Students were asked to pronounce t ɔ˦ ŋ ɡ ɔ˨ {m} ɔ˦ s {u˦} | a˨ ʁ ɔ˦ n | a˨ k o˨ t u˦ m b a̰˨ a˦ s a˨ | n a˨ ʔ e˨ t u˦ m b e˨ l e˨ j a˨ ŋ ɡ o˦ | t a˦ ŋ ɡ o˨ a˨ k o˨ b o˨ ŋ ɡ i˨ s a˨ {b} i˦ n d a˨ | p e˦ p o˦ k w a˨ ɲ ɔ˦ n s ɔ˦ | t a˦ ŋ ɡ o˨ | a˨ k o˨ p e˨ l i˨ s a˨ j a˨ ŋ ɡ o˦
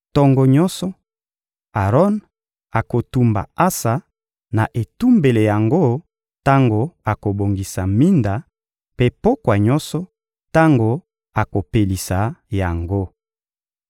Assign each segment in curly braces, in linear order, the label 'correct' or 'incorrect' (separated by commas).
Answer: incorrect, incorrect, incorrect